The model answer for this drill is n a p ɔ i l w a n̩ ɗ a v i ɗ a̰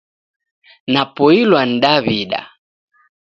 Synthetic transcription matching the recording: n a p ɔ i l w a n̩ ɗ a β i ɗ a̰